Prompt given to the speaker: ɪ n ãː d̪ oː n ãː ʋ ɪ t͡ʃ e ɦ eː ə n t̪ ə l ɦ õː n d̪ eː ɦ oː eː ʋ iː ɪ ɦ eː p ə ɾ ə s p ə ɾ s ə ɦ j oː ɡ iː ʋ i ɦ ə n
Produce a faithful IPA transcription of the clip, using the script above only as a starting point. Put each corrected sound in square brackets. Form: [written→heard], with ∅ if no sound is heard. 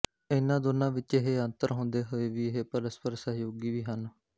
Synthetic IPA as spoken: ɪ n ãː d̪ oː n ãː ʋ ɪ t͡ʃ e ɦ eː ə n t̪ ə [l→ɾ] ɦ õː n d̪ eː ɦ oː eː ʋ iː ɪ ɦ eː p ə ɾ ə s p ə ɾ s ə ɦ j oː ɡ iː ʋ [i→iː] ɦ ə n